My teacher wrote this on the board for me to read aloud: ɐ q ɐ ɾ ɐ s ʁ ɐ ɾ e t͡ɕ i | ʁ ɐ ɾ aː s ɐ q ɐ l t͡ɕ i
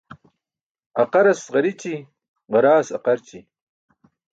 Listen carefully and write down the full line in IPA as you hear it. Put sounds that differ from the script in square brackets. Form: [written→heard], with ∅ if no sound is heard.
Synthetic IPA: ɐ q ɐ ɾ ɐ s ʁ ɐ ɾ [e→i] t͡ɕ i | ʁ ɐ ɾ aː s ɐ q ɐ [l→ɾ] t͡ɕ i